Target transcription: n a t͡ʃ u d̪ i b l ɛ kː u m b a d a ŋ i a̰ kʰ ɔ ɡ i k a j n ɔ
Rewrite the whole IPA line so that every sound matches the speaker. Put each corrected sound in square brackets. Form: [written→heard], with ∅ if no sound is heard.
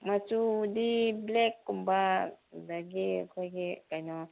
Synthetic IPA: [n→m] a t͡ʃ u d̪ i b l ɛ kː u m b a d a [ŋ→ɡ] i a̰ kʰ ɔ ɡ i k a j n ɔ